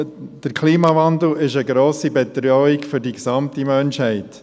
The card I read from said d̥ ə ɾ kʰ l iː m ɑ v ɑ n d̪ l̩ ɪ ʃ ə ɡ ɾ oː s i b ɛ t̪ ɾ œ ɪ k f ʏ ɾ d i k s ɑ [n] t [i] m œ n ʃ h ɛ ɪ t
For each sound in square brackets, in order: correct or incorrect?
incorrect: m, correct

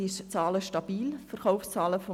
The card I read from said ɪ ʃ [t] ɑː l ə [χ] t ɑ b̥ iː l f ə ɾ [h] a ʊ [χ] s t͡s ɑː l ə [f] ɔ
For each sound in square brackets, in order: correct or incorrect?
incorrect: t͡s, incorrect: ʃ, incorrect: χ, incorrect: f, correct

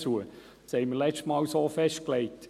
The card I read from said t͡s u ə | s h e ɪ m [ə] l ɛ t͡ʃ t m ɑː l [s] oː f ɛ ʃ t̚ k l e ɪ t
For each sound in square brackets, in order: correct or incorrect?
correct, correct

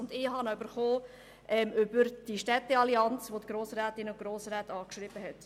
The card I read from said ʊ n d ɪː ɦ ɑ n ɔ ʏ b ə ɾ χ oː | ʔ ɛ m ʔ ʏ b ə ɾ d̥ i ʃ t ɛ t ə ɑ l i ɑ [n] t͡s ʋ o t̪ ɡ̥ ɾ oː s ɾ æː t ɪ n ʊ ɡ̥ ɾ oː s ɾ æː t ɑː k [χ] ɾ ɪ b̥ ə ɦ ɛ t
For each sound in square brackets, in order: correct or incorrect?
correct, incorrect: ʃ

